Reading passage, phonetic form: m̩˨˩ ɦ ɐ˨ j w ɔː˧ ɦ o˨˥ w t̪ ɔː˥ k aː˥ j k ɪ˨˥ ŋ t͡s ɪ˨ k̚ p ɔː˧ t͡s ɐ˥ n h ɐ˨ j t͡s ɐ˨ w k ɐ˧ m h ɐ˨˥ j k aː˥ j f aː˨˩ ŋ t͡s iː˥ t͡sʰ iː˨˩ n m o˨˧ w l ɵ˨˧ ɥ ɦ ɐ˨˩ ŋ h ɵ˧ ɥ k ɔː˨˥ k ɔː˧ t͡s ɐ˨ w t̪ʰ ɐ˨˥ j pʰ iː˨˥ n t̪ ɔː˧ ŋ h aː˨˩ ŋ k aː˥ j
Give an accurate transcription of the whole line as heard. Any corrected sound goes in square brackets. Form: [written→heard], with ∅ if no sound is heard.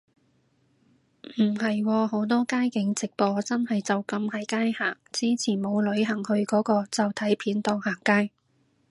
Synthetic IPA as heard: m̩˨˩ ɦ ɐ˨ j w ɔː˧ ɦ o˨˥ w t̪ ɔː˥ k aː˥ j k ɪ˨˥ ŋ t͡s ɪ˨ k̚ p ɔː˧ t͡s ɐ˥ n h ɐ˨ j t͡s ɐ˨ w k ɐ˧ m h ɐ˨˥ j k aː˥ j [f→h] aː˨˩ ŋ t͡s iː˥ t͡sʰ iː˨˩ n m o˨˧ w l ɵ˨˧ ɥ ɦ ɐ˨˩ ŋ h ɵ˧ ɥ k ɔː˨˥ k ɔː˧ t͡s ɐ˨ w t̪ʰ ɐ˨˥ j pʰ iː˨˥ n t̪ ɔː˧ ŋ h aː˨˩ ŋ k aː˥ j